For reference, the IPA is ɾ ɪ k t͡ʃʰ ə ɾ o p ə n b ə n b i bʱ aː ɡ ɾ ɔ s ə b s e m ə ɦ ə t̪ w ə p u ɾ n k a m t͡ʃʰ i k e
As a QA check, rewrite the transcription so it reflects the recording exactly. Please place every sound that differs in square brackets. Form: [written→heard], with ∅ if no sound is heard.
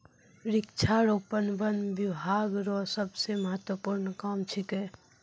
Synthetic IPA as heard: ɾ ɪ k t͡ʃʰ [ə→a] ɾ o p ə n b ə n b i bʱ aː ɡ ɾ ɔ s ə b s e m ə ɦ ə t̪ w ə p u ɾ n k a m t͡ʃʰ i k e